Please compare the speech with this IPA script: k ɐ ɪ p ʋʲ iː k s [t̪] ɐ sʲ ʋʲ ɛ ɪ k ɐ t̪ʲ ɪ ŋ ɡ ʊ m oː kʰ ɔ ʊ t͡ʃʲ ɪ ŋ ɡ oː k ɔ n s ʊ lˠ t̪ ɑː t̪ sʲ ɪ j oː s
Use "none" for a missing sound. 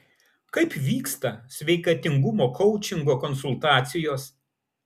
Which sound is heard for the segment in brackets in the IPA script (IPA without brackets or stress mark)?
t̪